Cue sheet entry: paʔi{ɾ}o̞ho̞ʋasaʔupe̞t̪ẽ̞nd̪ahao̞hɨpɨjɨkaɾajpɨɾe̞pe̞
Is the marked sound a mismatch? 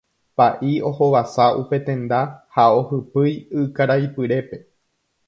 yes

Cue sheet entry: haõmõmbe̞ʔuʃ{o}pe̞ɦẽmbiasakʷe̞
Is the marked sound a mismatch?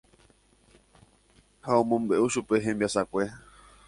yes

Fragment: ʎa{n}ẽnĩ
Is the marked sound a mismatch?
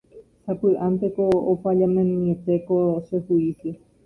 yes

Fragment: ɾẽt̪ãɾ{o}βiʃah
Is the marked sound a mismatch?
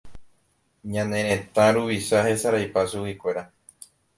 yes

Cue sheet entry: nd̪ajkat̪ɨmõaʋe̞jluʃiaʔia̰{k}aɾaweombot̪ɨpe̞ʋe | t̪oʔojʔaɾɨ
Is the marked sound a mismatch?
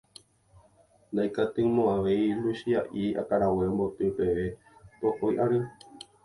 no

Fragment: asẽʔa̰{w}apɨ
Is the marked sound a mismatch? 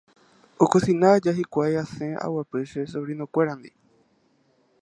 no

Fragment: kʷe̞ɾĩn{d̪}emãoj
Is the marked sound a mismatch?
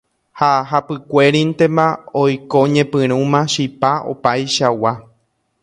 yes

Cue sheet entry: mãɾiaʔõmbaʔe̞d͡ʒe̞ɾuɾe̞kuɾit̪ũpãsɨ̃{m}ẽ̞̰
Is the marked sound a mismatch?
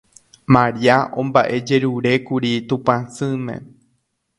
no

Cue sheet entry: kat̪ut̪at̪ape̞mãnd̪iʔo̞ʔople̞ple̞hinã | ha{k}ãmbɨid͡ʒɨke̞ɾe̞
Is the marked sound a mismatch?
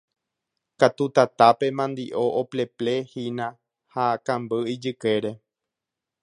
no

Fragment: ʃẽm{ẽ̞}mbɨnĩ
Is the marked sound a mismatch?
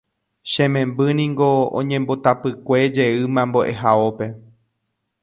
no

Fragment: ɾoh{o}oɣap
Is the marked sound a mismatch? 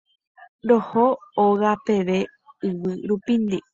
no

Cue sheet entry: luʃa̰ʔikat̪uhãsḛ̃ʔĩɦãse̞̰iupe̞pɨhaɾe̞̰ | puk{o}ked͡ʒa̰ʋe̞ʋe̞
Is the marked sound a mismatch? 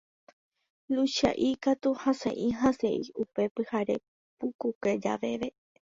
yes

